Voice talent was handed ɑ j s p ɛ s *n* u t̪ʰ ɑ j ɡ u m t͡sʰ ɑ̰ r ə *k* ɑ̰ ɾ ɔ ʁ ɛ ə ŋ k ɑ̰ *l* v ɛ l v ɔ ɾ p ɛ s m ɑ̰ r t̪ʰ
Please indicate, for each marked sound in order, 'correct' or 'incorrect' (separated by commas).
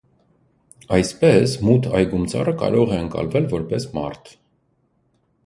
incorrect, correct, correct